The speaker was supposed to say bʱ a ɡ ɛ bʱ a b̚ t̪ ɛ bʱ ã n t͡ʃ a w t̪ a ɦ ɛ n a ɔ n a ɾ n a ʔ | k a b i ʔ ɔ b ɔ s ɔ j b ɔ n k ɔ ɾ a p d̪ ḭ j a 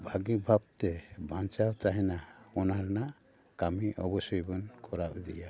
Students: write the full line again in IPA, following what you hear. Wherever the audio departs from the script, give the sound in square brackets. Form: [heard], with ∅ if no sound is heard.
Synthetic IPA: bʱ a ɡ [i] bʱ a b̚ t̪ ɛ bʱ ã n t͡ʃ a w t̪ a ɦ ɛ n a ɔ n a ɾ n a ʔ | k a [m] i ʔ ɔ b ɔ s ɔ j b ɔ n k ɔ ɾ a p d̪ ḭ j a